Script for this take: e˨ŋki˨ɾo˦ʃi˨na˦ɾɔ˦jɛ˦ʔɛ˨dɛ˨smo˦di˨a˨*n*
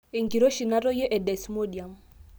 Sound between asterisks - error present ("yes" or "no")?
yes